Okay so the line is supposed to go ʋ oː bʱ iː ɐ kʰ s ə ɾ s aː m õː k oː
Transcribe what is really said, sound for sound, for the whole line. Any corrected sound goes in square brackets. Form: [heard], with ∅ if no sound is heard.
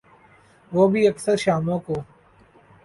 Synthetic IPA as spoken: ʋ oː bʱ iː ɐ [k] s ə ɾ [ʃ] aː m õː k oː